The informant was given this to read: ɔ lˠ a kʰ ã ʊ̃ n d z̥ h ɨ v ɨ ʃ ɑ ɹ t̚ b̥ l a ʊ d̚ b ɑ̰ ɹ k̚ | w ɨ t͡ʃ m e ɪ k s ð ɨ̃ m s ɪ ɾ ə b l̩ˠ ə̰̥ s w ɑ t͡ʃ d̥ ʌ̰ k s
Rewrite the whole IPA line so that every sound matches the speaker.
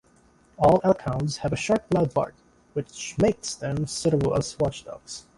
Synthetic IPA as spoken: ɔ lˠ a kʰ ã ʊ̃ n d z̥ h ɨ v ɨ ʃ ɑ ɹ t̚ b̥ l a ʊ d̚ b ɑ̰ ɹ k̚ | w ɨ t͡ʃ m e ɪ k s ð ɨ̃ m s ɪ ɾ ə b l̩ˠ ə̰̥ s w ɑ t͡ʃ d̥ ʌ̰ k s